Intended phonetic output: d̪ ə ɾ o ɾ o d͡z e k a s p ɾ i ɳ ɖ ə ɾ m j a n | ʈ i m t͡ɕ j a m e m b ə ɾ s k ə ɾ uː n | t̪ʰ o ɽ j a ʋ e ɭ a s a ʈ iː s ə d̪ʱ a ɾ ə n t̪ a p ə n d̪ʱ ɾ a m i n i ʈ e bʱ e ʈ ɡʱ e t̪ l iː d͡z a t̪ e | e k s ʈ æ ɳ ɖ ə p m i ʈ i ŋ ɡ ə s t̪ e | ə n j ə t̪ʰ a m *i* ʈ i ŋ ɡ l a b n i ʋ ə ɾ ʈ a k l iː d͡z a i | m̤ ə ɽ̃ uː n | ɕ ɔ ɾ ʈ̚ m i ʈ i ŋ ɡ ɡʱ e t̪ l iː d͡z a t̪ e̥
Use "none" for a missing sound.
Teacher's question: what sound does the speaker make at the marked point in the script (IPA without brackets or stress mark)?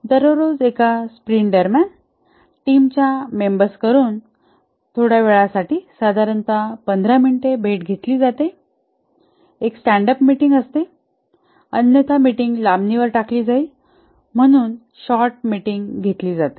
i